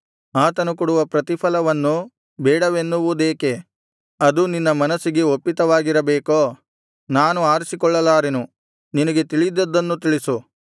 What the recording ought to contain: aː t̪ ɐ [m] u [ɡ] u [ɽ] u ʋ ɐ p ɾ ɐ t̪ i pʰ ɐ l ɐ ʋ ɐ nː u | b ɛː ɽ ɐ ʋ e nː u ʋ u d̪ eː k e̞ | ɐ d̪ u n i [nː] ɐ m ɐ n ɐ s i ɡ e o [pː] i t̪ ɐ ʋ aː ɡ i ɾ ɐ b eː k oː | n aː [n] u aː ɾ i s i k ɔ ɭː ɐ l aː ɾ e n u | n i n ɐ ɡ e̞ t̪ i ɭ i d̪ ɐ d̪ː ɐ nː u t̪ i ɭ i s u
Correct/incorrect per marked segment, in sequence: incorrect: n, incorrect: k, correct, correct, correct, correct

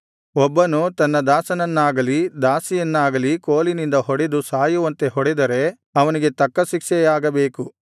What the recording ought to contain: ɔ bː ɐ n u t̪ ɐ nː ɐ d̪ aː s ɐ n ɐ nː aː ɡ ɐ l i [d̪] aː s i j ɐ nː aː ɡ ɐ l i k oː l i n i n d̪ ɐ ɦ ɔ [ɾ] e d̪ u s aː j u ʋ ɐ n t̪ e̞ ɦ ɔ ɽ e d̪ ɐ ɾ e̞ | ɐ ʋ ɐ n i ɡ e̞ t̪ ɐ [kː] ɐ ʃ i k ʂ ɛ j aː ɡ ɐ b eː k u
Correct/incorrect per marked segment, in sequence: correct, incorrect: ɽ, correct

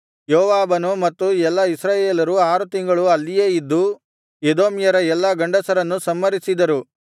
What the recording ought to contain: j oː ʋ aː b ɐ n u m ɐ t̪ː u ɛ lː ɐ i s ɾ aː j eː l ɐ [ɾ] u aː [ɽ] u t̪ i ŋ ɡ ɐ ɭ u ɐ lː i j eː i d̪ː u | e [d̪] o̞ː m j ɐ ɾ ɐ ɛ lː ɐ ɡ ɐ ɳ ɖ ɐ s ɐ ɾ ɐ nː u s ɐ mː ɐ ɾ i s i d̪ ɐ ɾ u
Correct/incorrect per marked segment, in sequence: correct, incorrect: ɾ, correct

